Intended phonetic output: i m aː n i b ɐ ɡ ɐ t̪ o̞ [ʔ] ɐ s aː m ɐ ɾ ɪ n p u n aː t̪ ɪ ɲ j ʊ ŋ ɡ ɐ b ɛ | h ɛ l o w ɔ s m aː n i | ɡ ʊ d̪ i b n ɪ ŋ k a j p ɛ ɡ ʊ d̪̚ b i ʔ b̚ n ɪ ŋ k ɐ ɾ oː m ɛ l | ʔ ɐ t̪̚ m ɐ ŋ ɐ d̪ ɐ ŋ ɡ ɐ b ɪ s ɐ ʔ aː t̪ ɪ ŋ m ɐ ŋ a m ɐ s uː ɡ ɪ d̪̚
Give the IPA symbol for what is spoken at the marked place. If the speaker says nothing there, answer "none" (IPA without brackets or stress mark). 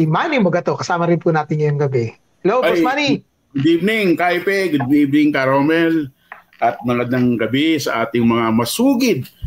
k